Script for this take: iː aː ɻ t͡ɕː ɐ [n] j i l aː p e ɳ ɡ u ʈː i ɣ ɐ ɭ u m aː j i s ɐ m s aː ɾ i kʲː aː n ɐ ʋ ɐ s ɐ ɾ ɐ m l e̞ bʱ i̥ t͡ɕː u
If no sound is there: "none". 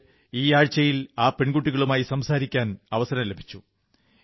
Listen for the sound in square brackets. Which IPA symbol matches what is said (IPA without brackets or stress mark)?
none